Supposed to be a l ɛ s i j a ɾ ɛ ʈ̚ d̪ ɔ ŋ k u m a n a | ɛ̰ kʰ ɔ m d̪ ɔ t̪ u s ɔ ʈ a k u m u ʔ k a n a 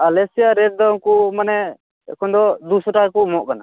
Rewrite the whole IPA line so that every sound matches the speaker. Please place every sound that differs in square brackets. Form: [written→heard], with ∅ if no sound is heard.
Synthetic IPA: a l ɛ s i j a ɾ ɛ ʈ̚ d̪ ɔ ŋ k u m a n [a→ɛ] | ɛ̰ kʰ ɔ [m→n] d̪ ɔ [t̪→d̪] u s ɔ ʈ a k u m [u→ɔ] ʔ k a n a